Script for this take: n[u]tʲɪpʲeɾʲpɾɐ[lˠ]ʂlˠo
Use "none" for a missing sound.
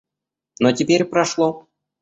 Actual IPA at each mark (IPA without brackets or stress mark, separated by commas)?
o, none